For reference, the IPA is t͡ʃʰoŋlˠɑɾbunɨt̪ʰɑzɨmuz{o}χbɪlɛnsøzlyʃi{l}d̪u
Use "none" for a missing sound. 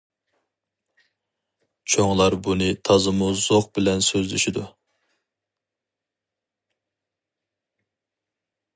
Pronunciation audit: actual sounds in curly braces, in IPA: o, none

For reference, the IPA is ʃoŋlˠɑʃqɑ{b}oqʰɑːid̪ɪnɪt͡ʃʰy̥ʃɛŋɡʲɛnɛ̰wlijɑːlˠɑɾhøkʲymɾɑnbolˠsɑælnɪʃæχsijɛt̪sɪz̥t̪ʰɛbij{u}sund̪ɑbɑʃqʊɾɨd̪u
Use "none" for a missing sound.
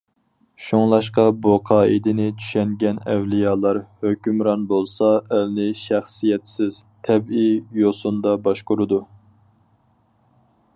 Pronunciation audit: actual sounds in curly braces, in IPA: b, o

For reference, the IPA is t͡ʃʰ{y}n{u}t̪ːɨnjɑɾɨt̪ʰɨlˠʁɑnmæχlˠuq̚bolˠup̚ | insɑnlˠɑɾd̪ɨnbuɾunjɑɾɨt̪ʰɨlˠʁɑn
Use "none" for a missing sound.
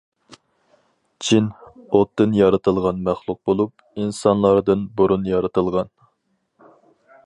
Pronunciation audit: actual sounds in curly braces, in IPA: i, o

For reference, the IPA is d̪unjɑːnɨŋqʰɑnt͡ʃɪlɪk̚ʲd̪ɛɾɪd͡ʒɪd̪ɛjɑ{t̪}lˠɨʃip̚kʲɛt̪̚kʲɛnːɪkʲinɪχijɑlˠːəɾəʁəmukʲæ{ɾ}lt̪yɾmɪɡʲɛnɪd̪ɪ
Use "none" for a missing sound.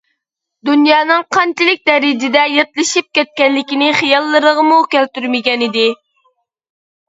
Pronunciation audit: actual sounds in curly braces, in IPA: t̪, none

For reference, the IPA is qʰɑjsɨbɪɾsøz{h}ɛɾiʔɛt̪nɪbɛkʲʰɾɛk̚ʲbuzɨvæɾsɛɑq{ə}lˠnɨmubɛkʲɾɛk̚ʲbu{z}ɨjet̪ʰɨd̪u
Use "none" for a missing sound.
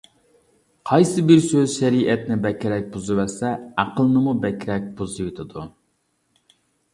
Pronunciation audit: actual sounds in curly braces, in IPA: ʃ, ə, z

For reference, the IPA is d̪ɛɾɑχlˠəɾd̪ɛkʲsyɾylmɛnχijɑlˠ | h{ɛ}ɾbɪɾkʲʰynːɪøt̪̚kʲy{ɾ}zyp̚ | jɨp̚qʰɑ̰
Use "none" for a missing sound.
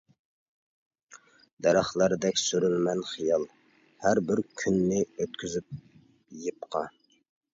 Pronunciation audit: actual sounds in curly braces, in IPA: æ, none

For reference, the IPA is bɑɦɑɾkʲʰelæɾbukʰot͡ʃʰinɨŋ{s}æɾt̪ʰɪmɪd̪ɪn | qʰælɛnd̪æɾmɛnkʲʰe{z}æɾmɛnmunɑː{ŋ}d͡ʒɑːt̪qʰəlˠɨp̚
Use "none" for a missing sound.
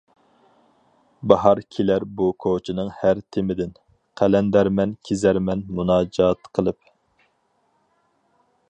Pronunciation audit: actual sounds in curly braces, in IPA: h, z, none

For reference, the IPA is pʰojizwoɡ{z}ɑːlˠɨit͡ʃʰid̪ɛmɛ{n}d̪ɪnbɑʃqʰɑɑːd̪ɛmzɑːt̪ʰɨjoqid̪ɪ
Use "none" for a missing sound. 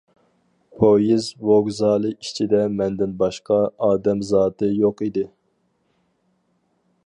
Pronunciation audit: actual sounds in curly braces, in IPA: z, n

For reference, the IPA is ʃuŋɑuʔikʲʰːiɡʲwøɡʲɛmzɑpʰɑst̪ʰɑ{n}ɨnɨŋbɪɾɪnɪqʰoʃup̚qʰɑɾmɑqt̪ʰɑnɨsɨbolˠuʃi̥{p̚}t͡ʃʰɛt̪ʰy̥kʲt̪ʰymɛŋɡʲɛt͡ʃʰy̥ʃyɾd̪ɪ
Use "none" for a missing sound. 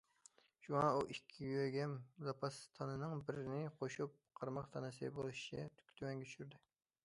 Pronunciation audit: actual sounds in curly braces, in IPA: n, none

